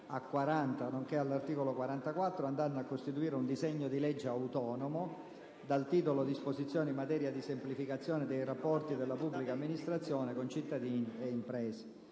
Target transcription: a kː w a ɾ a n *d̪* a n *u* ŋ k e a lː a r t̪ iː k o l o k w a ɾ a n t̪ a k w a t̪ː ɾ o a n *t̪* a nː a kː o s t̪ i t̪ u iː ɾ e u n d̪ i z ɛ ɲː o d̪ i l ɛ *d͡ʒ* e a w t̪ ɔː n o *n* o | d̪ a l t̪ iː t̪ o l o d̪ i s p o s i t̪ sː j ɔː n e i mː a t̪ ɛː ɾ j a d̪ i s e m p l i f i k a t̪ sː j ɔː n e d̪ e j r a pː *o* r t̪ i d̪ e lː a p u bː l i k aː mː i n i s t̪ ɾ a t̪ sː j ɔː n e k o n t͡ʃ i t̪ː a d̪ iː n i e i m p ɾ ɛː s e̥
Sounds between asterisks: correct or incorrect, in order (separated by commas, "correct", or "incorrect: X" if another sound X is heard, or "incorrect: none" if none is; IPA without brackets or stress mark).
incorrect: t̪, incorrect: o, incorrect: d̪, incorrect: d͡ʒː, incorrect: m, incorrect: ɔ